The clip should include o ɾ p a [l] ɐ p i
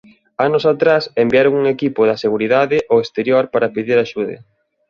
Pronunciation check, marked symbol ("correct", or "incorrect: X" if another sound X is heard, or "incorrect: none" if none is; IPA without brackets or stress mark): incorrect: ɾ